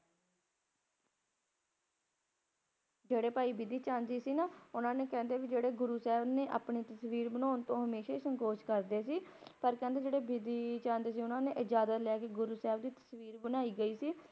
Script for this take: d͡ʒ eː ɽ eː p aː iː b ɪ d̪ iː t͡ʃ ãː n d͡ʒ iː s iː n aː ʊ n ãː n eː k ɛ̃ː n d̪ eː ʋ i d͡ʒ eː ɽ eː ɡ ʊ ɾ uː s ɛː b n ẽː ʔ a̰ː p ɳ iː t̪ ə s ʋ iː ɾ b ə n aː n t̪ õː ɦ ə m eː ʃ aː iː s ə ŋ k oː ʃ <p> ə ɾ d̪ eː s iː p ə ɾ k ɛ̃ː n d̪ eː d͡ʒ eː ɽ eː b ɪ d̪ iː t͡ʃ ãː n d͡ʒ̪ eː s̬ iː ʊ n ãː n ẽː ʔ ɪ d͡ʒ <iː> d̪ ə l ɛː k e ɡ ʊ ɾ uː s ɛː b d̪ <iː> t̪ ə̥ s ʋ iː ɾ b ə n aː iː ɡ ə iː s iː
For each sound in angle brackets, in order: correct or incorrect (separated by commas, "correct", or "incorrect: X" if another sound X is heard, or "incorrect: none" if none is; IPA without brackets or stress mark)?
incorrect: k, incorrect: aː, correct